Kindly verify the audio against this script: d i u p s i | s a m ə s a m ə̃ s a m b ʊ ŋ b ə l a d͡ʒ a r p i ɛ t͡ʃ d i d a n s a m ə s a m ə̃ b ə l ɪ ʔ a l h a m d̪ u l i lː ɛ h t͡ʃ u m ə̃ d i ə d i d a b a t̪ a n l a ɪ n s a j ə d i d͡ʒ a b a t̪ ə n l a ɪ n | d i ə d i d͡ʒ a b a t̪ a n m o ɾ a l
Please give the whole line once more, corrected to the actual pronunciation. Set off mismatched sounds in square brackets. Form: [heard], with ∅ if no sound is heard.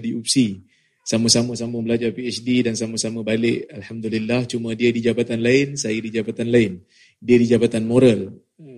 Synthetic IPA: d i u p s i | s a m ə s a m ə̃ s a m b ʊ ŋ b ə l a d͡ʒ a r p i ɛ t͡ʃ d i d a n s a m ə s a m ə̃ b [a] l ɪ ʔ a l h a m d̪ u l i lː [a] h t͡ʃ u m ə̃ d i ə d i [d͡ʒ] a b a t̪ a n l a ɪ n s a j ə d i d͡ʒ a b a t̪ [a] n l a ɪ n | d i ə d i d͡ʒ a b a t̪ a n m o ɾ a l